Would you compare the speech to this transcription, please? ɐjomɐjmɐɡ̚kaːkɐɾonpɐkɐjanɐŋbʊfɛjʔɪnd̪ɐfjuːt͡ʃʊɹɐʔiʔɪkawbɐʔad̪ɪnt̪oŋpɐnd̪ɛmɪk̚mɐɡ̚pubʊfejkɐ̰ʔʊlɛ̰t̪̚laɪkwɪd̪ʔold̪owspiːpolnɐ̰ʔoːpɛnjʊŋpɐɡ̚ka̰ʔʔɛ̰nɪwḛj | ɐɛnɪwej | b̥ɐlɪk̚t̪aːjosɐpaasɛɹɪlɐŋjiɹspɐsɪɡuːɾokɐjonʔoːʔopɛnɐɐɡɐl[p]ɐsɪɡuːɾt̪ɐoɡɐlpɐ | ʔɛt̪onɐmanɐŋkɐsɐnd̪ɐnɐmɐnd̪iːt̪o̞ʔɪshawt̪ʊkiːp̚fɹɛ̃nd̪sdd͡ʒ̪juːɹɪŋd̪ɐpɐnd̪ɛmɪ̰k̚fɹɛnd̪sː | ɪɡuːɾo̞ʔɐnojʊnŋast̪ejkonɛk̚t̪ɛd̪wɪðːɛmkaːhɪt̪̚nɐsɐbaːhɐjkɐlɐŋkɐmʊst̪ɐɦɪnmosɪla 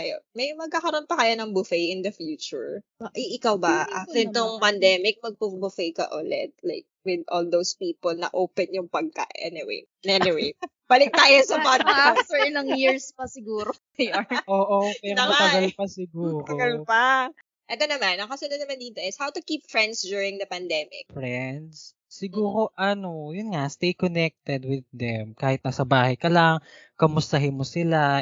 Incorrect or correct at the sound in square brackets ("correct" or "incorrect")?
correct